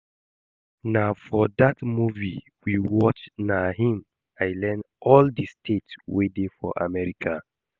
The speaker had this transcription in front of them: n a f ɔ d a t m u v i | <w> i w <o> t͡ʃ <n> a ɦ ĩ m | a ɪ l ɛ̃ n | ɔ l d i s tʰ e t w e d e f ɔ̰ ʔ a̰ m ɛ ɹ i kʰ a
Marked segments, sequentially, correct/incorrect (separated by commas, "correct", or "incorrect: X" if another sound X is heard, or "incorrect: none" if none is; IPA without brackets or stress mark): correct, incorrect: ɔ, correct